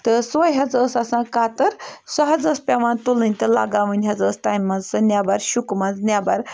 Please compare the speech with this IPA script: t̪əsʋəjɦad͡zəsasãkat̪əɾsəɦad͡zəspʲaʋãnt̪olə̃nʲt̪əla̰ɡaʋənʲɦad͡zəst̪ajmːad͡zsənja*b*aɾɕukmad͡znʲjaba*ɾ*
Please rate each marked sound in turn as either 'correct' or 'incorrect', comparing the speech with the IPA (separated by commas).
correct, correct